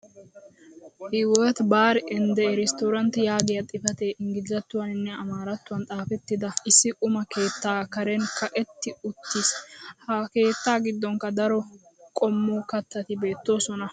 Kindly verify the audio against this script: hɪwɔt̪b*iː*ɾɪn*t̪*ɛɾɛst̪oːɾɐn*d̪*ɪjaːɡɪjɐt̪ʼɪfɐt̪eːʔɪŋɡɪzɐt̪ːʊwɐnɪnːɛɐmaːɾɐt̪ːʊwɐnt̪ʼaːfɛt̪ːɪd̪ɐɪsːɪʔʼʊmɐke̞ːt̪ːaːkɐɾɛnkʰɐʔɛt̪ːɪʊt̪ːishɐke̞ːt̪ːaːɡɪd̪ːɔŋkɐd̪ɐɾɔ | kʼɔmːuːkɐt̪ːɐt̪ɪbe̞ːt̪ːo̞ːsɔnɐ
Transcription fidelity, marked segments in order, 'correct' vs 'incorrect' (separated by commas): incorrect, incorrect, incorrect